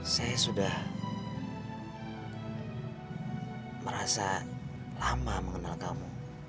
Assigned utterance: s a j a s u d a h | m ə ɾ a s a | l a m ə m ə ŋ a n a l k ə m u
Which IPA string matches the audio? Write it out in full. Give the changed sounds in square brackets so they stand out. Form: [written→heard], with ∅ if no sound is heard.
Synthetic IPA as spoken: s a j a s u d a h | m ə ɾ a s a | l a m [ə→a] m ə ŋ [a→ə] n a l k [ə→a] m u